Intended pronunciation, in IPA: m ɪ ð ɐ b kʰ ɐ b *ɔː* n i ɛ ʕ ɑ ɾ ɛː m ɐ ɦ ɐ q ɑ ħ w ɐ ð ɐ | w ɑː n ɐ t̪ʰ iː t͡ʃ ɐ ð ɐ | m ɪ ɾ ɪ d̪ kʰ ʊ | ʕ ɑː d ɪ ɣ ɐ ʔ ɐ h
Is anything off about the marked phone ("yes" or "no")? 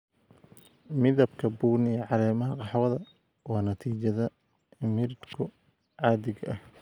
yes